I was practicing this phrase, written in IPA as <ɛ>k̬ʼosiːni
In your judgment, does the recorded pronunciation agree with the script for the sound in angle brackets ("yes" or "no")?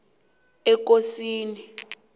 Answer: yes